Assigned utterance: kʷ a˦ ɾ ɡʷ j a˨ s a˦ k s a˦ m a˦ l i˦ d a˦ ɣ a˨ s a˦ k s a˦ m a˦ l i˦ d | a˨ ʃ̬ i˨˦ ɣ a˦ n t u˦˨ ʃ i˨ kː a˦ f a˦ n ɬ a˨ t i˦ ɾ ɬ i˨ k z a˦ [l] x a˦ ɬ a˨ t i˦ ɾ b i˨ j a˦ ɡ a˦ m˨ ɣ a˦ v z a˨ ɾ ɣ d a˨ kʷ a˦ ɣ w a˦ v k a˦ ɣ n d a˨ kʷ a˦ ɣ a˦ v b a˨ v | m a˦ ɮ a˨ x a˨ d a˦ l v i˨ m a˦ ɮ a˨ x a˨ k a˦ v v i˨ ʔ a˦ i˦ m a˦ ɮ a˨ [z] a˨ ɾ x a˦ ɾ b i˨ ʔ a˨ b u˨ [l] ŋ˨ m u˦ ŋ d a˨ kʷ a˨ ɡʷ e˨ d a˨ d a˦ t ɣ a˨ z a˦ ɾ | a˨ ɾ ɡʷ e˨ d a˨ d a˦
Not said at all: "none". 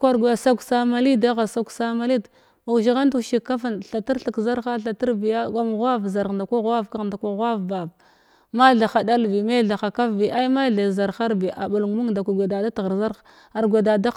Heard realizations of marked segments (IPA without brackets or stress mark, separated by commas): ɾ, z, l